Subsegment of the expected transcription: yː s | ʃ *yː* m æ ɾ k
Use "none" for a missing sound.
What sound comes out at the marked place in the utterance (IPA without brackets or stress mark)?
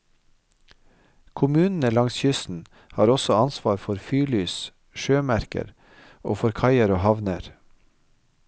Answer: øː